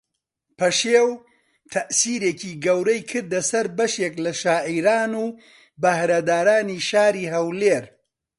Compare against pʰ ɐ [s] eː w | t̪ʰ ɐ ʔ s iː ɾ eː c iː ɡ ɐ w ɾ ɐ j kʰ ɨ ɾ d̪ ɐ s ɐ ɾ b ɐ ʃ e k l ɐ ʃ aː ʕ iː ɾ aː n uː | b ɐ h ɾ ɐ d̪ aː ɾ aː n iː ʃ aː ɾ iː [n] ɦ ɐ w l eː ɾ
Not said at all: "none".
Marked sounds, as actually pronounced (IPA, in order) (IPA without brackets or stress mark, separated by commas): ʃ, none